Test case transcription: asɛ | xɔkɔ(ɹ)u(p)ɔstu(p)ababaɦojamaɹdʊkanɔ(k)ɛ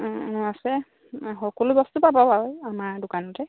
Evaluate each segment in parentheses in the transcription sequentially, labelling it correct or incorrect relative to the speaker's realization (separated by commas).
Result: incorrect, incorrect, correct, incorrect